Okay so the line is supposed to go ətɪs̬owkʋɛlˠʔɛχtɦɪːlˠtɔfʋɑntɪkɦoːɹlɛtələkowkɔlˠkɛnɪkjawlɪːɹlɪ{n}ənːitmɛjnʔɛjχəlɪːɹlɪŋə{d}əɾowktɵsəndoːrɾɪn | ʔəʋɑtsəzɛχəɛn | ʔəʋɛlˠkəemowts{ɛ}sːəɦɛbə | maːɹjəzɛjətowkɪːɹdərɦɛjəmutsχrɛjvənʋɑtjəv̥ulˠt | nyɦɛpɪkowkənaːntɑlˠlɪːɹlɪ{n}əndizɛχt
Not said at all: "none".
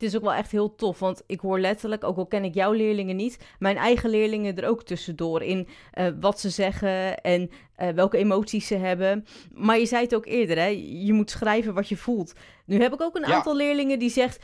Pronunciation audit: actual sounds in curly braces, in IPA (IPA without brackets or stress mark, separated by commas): ŋ, d, i, ŋ